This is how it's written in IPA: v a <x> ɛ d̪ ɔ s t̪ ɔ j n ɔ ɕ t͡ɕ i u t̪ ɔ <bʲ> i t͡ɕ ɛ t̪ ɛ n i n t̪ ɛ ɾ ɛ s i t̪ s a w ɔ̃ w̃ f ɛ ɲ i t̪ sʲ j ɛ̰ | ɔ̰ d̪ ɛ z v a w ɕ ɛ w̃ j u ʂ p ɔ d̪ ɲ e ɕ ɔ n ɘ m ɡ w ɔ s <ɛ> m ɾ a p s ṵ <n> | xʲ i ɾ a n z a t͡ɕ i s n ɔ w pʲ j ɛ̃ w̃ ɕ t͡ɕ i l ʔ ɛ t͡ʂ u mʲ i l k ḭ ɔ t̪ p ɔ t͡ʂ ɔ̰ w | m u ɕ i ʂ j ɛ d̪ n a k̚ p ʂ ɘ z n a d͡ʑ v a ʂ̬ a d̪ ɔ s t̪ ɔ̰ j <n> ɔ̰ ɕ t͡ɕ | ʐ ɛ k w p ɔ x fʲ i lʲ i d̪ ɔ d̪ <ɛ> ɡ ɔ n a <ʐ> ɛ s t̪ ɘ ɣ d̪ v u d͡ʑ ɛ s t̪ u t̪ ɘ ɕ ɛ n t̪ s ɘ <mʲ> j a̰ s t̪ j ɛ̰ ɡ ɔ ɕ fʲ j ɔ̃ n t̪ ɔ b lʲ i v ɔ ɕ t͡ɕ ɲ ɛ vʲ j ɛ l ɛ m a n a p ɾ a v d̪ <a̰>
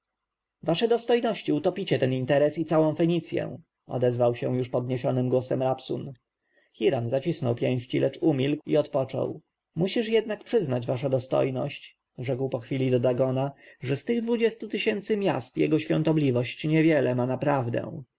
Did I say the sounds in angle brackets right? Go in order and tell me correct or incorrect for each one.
incorrect: ʂ, incorrect: pʲ, correct, correct, correct, incorrect: a, correct, correct, incorrect: ɛ̰

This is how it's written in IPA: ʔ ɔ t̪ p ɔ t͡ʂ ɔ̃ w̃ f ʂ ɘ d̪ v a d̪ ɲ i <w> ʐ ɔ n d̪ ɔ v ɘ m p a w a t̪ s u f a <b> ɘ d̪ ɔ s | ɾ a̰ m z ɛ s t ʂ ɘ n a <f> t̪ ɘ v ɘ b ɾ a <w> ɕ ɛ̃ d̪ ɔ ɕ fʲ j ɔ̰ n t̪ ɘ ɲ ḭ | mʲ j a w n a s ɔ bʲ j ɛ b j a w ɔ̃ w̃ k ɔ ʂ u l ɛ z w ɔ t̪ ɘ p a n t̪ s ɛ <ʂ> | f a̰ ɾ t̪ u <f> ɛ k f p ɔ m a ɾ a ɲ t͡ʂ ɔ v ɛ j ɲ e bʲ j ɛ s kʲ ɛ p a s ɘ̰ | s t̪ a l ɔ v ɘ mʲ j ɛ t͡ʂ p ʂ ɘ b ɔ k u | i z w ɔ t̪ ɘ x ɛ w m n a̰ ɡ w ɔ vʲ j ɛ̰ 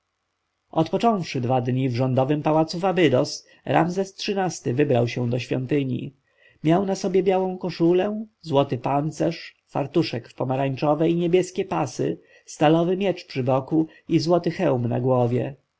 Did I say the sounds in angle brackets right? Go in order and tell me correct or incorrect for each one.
incorrect: v, correct, incorrect: s, correct, correct, incorrect: ʂ

